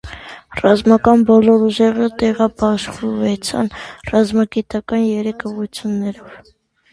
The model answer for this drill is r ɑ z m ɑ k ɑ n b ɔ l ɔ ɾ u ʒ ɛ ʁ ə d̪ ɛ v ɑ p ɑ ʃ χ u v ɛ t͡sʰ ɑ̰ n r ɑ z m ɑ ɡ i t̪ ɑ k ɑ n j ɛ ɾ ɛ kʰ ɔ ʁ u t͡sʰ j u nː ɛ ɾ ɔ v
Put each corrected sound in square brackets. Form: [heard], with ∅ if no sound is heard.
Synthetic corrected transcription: r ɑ z m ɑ k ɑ n b ɔ l ɔ ɾ u ʒ ɛ ʁ ə [t̪] ɛ [ʁ] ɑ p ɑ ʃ χ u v ɛ t͡sʰ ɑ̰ n r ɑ z m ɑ ɡ i t̪ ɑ k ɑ n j ɛ ɾ ɛ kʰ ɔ ʁ u t͡sʰ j u nː ɛ ɾ ɔ v